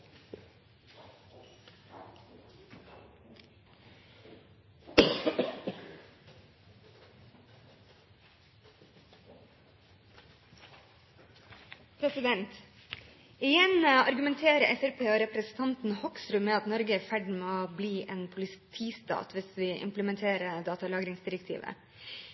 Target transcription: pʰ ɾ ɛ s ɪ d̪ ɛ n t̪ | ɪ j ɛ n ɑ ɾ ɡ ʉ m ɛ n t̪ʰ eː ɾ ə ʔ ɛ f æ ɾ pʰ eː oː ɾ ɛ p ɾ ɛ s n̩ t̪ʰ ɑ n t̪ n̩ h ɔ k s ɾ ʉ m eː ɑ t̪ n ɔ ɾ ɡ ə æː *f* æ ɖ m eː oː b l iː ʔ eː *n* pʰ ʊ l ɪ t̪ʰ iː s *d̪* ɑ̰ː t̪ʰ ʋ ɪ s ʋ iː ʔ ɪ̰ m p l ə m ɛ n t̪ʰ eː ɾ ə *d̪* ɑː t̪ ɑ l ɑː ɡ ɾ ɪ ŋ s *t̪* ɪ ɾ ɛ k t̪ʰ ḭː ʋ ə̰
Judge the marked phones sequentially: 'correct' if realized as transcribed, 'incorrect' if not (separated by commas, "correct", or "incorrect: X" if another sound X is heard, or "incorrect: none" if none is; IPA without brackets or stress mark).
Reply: correct, correct, incorrect: t̪, correct, incorrect: d̪